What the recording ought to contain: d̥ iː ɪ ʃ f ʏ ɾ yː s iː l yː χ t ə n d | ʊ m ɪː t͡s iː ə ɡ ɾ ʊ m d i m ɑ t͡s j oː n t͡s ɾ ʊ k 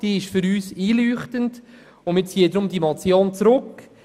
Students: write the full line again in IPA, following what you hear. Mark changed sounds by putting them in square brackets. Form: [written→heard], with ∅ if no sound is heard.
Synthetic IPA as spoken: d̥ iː ɪ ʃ f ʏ ɾ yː s iː l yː χ t ə n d | ʊ m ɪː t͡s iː ə [ɡ→d] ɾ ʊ m d i m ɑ t͡s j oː n t͡s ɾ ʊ k